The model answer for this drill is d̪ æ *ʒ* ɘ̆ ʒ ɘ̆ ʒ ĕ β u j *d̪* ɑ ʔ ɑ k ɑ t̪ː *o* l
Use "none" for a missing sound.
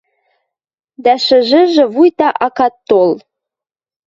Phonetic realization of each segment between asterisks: ʃ, t̪, o

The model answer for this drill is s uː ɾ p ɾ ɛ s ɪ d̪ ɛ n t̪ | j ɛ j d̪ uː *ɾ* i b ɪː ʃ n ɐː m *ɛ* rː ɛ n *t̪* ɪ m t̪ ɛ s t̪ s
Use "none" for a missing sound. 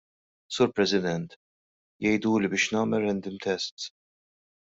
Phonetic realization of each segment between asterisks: l, ɛ, d̪

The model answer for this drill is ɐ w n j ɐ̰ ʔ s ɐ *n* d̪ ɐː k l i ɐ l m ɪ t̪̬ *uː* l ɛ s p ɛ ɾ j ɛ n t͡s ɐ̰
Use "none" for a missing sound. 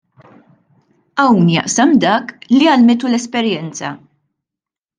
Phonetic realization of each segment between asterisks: m, u

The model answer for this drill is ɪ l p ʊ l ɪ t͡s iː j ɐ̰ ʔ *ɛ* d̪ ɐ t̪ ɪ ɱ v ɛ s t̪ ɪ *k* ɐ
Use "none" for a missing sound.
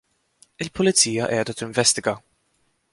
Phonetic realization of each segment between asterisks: ɛː, ɡ

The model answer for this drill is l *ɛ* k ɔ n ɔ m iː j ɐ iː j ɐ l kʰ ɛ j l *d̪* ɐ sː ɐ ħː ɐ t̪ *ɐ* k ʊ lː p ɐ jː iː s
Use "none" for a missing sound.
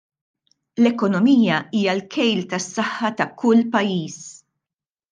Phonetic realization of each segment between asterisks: ɛ, t̪, ɐ

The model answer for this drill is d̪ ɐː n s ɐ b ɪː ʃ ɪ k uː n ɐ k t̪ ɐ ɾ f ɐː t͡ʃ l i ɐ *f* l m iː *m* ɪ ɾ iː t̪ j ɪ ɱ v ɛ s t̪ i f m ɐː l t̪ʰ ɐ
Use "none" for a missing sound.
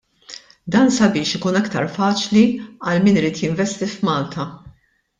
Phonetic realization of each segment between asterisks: none, n

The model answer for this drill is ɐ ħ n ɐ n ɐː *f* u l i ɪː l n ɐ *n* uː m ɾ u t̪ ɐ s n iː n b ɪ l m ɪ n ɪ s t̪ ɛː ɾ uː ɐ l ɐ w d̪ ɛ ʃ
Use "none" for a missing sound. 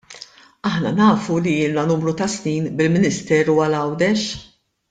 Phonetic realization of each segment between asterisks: f, n

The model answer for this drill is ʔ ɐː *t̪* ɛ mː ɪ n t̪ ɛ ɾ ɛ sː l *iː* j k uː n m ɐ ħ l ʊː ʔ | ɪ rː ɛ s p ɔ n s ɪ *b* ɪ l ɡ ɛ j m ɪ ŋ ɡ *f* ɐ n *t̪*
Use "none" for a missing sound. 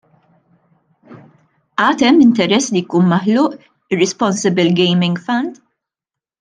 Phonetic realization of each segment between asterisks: t̪, i, b, f, d̪

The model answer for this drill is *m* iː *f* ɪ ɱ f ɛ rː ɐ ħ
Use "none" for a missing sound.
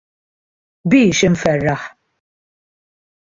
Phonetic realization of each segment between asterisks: b, ʃ

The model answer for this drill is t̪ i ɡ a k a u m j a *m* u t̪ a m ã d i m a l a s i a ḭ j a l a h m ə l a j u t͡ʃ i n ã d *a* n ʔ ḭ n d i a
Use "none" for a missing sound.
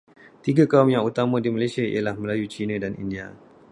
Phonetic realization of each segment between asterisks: ŋ, a

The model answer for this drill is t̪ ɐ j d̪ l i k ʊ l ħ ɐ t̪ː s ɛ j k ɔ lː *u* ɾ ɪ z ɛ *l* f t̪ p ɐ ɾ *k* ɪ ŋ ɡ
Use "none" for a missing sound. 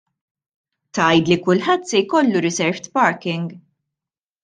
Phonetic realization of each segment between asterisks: u, ɾ, k

